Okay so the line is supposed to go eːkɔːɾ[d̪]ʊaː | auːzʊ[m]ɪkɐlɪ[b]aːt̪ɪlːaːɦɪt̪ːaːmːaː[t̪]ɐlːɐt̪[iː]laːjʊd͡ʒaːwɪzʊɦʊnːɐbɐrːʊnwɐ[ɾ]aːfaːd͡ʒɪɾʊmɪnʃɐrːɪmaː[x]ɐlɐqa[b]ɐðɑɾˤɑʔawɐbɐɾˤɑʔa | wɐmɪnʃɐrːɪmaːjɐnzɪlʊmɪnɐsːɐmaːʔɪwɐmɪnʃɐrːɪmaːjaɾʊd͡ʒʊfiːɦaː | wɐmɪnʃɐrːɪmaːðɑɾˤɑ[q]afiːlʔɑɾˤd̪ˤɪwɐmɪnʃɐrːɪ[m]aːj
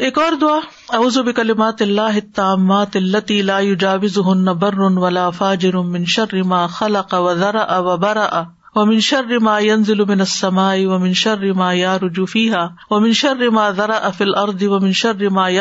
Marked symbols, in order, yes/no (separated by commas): yes, no, no, yes, yes, no, yes, no, no, yes